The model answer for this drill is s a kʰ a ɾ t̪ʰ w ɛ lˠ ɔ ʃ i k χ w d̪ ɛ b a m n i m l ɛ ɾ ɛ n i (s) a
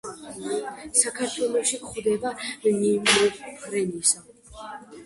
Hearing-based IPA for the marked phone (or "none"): s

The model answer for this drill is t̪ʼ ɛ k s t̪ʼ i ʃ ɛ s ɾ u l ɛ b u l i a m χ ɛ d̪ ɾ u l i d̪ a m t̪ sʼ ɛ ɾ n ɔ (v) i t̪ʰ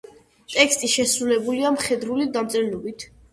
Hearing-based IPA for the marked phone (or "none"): b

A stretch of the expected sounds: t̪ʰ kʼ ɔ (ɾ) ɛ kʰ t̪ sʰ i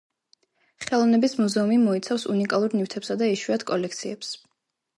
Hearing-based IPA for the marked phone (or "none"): l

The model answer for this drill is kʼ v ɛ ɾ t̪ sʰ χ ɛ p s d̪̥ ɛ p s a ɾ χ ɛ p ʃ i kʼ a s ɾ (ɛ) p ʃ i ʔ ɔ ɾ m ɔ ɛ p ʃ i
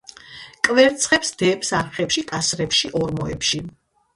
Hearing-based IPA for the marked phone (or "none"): ɛ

